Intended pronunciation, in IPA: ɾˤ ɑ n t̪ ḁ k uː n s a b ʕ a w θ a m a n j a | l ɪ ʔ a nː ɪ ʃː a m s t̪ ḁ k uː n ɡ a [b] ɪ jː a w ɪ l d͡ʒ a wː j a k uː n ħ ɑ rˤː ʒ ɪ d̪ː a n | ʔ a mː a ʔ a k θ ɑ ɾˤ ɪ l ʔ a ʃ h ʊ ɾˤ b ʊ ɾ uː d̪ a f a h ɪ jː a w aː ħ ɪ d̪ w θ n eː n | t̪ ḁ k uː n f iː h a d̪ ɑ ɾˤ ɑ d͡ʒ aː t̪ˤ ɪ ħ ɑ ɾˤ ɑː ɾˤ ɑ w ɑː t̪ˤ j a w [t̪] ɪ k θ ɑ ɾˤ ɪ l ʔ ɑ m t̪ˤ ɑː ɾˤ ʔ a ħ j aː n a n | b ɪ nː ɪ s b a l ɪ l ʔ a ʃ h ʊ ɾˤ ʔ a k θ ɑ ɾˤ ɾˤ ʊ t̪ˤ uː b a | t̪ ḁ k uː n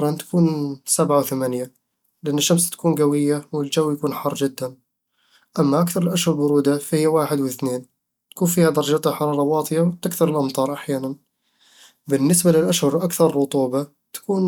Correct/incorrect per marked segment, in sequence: incorrect, correct

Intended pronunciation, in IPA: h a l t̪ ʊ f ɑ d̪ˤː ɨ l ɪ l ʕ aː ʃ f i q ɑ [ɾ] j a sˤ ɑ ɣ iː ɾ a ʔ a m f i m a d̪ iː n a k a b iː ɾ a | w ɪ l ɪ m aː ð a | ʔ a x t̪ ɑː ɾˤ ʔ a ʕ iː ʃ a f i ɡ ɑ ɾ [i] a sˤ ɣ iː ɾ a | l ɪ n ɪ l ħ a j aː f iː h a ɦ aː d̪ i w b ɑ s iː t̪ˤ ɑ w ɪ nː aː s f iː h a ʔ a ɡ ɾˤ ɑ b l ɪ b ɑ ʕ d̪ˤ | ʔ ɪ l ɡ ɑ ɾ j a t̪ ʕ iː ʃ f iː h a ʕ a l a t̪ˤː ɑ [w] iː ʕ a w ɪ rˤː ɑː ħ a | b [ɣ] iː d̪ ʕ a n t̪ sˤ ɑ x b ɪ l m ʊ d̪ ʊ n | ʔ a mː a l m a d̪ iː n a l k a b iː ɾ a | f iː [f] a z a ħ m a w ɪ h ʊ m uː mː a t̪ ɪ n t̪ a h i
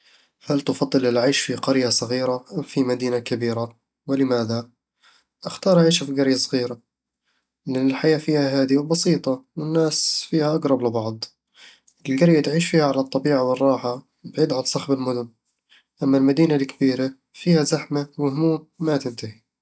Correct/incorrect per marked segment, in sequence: correct, incorrect, incorrect, incorrect, incorrect

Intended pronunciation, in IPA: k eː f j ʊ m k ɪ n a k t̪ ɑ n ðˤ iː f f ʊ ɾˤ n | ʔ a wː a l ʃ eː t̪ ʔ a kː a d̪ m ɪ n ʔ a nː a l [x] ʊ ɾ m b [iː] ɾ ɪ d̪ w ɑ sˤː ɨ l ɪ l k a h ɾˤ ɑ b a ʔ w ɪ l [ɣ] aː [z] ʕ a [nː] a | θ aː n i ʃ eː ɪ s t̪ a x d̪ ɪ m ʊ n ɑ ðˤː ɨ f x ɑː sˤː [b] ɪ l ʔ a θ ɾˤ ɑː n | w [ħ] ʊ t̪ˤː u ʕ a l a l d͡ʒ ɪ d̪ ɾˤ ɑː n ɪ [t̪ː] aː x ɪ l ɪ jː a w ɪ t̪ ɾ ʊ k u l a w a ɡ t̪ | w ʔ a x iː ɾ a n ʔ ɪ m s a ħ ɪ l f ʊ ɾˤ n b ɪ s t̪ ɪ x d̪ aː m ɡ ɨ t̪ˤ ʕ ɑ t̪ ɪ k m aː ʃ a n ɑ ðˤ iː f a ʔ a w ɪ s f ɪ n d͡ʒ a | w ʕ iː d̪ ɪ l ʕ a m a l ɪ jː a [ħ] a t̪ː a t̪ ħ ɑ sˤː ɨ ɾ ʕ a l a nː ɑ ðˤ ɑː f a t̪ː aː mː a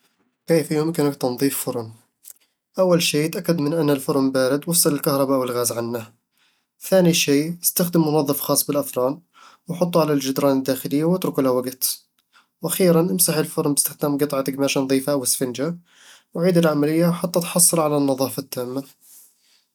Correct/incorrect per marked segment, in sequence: incorrect, incorrect, correct, correct, correct, correct, correct, incorrect, correct

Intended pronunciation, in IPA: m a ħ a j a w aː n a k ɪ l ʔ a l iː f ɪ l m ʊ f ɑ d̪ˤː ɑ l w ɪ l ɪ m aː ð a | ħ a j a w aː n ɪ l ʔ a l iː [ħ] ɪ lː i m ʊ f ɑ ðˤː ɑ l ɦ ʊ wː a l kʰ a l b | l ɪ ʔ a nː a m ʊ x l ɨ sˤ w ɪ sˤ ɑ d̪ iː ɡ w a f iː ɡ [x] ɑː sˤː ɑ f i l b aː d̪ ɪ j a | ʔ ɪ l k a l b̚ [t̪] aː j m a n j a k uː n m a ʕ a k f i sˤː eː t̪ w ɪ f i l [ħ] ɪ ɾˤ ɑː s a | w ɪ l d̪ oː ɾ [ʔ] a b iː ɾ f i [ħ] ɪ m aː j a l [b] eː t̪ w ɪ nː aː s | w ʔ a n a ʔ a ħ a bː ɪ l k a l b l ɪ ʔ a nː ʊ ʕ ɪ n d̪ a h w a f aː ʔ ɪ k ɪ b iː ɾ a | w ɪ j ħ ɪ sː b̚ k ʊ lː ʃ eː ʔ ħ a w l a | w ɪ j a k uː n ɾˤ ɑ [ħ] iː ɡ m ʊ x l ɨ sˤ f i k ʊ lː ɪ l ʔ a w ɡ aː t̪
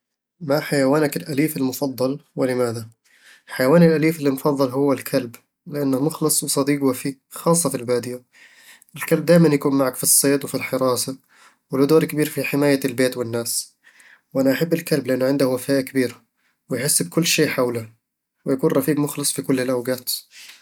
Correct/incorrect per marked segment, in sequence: incorrect, correct, incorrect, correct, incorrect, correct, correct, incorrect

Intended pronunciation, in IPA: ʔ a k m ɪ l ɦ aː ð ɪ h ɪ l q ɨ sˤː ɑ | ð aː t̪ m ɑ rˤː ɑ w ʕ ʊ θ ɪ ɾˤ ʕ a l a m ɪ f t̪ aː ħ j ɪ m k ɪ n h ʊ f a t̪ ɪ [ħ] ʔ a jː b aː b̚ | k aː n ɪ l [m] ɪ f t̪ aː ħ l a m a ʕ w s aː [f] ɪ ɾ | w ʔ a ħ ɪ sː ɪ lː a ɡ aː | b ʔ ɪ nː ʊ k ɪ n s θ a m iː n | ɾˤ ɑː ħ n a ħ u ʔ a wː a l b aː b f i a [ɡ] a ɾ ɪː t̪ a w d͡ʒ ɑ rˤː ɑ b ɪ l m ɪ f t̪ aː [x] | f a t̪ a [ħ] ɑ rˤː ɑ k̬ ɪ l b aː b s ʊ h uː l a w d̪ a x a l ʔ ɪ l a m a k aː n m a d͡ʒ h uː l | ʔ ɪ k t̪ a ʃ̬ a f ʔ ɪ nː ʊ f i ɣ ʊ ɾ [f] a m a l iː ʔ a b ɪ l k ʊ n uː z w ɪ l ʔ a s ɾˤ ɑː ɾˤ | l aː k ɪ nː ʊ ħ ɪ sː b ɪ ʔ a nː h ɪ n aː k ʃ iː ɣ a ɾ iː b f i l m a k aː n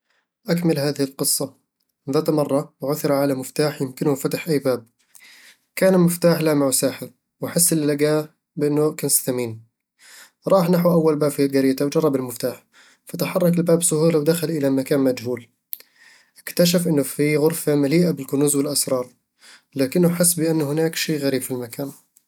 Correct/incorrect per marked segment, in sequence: correct, correct, incorrect, correct, incorrect, correct, correct

